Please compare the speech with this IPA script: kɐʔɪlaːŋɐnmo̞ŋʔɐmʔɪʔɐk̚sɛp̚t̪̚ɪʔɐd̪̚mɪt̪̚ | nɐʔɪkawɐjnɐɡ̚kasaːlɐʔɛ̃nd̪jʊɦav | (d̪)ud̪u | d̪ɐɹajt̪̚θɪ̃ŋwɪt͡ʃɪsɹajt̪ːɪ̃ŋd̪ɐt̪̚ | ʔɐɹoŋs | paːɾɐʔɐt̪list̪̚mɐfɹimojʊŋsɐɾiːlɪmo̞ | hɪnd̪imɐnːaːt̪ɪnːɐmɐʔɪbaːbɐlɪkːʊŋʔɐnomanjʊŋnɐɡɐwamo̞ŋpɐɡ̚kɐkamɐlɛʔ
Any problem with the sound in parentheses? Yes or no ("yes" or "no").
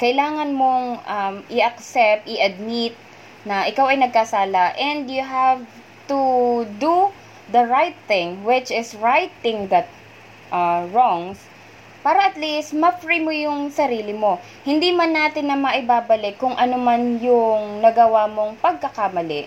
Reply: yes